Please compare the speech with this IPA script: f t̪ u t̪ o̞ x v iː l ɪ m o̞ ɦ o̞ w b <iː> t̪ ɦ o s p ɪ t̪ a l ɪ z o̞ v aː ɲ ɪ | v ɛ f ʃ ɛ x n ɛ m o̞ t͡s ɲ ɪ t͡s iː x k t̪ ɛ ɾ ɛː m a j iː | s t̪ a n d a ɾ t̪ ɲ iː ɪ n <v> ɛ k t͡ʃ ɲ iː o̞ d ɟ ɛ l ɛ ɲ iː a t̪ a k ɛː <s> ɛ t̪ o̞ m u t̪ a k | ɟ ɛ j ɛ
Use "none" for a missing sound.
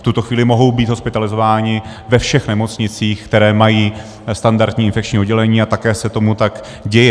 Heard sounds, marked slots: iː, f, s

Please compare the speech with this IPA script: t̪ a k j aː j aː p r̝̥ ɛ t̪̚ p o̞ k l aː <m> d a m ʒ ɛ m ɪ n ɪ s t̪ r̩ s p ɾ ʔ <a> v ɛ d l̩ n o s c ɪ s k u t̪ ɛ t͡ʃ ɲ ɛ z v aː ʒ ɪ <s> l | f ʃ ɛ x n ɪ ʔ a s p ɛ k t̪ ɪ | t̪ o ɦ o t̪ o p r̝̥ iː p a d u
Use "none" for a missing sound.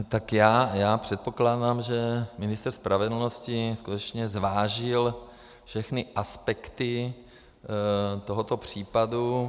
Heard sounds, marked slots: none, a, none

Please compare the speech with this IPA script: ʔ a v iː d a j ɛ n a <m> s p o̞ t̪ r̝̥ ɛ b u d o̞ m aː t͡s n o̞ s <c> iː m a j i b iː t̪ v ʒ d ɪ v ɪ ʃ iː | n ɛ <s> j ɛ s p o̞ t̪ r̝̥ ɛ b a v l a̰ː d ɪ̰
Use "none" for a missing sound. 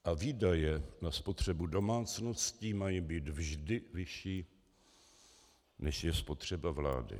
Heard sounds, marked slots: none, c, ʃ

